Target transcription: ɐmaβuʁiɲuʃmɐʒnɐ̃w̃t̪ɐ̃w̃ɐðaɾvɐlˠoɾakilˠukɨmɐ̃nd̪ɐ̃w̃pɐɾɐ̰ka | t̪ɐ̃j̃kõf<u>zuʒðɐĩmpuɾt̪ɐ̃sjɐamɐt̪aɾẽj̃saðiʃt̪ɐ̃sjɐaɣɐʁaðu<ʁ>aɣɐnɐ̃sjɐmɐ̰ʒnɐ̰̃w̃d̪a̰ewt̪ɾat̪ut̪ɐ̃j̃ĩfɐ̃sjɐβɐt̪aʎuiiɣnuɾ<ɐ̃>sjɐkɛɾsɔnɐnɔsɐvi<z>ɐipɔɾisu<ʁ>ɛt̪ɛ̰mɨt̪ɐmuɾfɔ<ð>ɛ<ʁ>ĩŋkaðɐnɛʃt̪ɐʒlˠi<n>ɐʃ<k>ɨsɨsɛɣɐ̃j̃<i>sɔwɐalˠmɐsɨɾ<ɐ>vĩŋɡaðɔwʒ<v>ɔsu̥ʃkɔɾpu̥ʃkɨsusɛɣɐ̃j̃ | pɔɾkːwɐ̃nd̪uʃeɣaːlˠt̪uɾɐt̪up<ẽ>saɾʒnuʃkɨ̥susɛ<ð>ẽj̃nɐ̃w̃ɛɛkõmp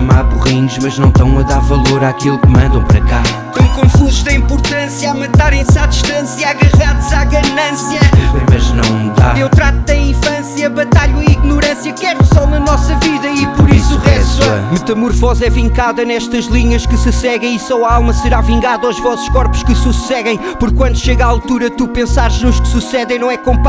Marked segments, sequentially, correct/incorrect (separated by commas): correct, incorrect, correct, incorrect, correct, incorrect, incorrect, incorrect, correct, correct, incorrect, correct, correct, correct